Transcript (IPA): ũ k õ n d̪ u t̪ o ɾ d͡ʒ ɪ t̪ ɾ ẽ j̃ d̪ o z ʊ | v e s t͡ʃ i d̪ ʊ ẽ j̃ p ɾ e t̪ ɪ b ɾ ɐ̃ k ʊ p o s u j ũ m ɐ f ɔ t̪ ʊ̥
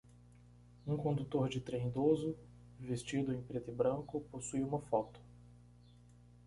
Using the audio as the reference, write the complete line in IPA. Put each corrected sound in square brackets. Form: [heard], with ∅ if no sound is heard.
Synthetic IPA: ũ k õ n d̪ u t̪ o ɾ d͡ʒ ɪ t̪ ɾ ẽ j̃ d̪ o z ʊ | v e s t͡ʃ i d̪ ʊ ẽ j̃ p ɾ e t̪ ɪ b ɾ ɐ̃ k ʊ p o s u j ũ m ɐ f ɔ t̪ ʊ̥